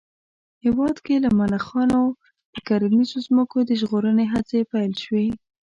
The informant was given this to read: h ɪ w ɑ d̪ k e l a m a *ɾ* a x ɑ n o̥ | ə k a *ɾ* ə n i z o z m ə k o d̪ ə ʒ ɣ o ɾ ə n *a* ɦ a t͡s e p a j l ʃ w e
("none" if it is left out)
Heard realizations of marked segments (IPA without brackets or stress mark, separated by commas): l, ɾ, e